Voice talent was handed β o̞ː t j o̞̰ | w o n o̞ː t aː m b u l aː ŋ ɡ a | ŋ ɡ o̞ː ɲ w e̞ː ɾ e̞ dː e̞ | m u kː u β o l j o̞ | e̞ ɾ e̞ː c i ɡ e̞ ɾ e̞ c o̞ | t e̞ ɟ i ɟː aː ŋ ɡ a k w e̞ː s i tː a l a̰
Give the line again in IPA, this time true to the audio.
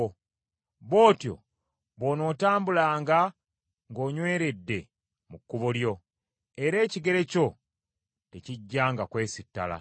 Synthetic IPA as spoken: β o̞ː t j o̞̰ | β o n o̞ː t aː m b u l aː ŋ ɡ a | ŋ ɡ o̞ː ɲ w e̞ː ɾ e̞ dː e̞ | m u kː u β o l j o̞ | e̞ ɾ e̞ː c i ɡ e̞ ɾ e̞ c o̞ | t e̞ c i ɟː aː ŋ ɡ a k w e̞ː s i tː a l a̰